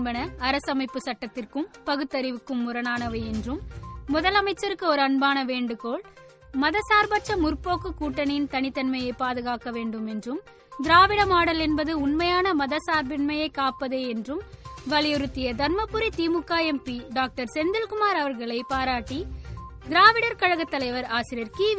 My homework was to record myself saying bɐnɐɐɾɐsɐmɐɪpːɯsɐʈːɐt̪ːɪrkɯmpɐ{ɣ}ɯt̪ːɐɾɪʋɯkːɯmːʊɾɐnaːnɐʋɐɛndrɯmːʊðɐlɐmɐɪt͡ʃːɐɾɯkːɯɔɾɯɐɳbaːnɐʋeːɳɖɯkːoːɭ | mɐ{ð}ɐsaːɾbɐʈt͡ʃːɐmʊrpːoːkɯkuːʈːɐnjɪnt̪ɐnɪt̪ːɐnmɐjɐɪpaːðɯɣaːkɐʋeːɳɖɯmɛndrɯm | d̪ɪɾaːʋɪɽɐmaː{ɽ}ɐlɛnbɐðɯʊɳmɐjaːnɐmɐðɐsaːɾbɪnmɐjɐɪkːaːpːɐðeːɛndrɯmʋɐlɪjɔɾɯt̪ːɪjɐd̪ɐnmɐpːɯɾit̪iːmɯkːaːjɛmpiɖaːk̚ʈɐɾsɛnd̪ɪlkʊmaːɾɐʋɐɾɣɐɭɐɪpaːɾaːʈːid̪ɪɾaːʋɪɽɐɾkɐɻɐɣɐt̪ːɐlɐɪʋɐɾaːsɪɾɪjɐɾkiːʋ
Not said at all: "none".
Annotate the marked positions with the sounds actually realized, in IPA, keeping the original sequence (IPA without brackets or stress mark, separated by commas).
ɣ, ð, ɽ